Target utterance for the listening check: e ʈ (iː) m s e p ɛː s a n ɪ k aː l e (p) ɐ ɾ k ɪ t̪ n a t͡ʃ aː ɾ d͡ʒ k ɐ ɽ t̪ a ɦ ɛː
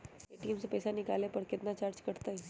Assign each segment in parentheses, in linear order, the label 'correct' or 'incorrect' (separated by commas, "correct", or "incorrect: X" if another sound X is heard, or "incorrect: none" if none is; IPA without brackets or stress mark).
correct, correct